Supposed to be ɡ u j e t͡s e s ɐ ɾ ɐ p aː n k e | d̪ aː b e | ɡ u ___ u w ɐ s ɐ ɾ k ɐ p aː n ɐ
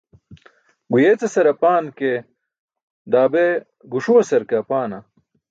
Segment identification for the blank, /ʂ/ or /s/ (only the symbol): ʂ